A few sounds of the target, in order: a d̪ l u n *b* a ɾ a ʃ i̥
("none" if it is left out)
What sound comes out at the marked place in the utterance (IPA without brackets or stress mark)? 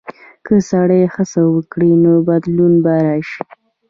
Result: b